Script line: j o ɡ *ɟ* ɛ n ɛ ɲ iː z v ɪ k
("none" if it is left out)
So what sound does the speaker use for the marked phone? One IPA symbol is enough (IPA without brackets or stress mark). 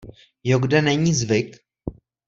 d